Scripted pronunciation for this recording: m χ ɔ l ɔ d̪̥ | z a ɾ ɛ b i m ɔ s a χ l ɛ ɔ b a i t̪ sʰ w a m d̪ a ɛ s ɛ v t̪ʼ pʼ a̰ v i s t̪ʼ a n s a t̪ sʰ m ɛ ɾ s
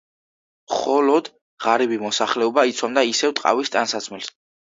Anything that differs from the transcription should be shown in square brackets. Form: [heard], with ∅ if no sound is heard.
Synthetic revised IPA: m χ ɔ l ɔ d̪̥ | [ʁ] a ɾ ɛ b i m ɔ s a χ l ɛ ɔ b a i t̪ sʰ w a m d̪ a [i] s ɛ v t̪ʼ [qʼ] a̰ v i s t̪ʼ a n s a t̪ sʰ m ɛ [l] s